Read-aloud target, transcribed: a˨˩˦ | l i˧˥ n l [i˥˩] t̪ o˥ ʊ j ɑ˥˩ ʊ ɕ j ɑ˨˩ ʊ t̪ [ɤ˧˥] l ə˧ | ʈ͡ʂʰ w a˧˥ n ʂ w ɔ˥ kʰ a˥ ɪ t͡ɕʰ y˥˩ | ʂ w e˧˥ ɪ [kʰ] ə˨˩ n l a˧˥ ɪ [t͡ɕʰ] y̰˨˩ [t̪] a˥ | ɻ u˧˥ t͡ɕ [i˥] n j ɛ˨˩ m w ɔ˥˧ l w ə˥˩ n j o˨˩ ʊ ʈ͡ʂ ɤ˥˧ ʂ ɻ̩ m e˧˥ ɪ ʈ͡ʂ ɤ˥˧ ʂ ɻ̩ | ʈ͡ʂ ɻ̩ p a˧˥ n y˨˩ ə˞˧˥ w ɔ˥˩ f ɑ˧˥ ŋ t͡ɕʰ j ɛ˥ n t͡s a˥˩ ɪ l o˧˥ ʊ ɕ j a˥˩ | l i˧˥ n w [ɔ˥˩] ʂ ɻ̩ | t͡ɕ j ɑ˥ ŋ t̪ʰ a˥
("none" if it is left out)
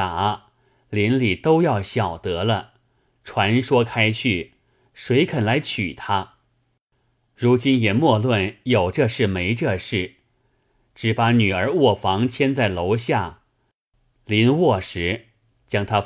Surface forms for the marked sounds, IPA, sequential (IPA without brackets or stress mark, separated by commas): i˨˩, ɤ˧˥, kʰ, t͡ɕʰ, t̪ʰ, i˥, ɔ˥˩